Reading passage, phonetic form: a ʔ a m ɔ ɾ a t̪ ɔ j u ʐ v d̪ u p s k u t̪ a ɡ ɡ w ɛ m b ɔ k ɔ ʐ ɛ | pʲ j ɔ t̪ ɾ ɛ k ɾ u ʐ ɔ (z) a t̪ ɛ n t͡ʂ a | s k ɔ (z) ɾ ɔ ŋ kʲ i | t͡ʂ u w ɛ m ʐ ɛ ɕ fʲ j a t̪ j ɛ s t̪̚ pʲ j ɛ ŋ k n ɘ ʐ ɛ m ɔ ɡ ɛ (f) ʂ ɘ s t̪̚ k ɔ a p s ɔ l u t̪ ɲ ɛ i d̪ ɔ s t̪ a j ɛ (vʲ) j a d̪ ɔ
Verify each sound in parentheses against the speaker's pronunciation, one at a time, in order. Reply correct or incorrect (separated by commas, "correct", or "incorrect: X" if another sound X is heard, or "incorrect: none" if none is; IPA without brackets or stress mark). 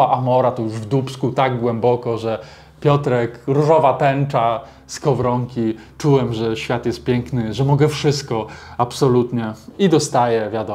incorrect: v, incorrect: v, correct, correct